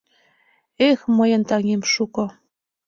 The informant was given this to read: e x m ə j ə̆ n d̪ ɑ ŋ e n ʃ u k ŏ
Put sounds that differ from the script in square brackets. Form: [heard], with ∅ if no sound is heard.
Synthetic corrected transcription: e x m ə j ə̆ n [t̪] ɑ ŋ e [m] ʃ u k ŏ